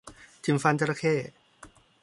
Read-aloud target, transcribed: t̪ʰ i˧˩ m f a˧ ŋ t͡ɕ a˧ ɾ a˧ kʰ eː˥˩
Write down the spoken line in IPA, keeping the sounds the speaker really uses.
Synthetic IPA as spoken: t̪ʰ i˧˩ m f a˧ n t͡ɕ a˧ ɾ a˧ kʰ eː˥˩